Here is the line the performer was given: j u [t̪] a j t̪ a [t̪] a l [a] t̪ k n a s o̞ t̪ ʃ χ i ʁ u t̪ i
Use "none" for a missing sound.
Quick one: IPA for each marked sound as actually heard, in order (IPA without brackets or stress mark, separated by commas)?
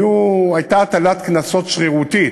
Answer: none, t̪, a